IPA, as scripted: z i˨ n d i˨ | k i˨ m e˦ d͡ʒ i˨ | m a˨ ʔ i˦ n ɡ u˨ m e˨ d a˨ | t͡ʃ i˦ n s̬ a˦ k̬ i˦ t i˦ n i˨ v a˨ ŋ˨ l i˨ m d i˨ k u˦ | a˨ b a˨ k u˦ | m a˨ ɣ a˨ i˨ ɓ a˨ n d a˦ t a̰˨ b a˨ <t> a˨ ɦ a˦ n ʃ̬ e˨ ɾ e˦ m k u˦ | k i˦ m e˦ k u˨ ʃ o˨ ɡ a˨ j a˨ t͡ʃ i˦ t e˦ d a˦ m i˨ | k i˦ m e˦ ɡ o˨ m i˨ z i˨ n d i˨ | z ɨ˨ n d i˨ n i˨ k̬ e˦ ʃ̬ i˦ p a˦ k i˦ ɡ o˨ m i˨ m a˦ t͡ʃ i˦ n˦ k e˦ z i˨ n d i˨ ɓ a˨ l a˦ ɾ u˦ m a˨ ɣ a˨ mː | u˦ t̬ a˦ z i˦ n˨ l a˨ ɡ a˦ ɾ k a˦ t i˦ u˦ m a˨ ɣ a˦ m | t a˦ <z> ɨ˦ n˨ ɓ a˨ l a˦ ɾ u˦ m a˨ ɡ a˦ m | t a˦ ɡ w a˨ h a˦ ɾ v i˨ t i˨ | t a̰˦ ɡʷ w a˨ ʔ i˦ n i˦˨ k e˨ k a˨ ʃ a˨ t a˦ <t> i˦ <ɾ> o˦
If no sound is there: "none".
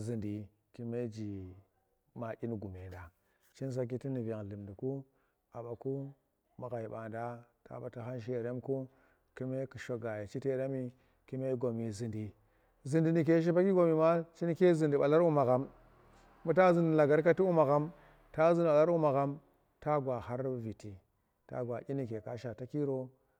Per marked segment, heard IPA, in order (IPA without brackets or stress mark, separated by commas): t, z, k, ɾ